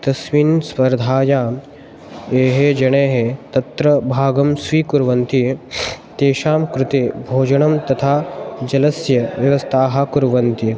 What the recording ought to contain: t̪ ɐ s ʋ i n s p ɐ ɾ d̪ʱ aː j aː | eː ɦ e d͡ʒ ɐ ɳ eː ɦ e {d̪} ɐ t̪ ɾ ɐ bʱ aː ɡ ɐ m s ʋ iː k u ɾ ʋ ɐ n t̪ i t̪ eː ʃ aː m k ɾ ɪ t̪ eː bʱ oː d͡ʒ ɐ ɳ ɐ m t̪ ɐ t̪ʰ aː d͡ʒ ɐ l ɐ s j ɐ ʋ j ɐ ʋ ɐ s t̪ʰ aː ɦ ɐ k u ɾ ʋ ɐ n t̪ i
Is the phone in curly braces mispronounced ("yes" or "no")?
yes